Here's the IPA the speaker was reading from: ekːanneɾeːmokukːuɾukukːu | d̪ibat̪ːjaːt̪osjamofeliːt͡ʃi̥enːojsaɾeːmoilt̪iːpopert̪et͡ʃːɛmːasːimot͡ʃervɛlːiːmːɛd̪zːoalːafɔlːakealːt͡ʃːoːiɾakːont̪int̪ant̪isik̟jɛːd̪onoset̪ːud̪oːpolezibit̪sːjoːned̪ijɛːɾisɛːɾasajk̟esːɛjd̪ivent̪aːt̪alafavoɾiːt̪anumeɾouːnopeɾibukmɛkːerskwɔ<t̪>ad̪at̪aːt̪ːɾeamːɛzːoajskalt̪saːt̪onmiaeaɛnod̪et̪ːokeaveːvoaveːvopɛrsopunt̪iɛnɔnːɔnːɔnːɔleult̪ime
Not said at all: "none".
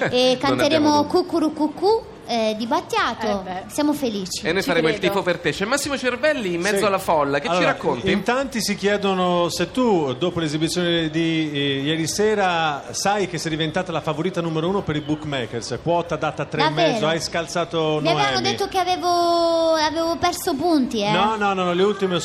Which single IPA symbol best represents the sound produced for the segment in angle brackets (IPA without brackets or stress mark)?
t̪